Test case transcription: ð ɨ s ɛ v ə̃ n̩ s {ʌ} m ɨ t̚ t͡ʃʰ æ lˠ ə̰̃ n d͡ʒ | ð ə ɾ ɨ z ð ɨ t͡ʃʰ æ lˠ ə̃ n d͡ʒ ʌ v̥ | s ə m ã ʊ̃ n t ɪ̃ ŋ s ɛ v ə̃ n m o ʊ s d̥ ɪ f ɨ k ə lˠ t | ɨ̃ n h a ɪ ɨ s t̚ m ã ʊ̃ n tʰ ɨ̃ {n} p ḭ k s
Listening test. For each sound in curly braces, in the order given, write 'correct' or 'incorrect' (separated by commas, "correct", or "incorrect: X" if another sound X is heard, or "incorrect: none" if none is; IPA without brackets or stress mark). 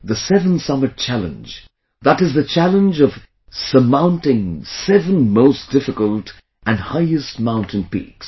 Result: correct, correct